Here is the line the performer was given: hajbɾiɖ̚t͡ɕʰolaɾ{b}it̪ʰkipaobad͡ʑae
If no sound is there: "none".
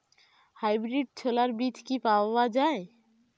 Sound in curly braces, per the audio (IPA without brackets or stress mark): b